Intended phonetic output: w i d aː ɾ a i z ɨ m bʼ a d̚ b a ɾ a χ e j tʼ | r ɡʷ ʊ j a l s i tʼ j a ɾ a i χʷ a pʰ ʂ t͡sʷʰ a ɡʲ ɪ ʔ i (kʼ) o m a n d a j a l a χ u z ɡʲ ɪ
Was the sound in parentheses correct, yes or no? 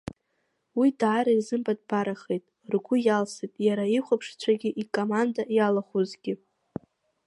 yes